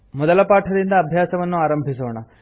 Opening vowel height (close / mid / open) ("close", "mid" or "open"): mid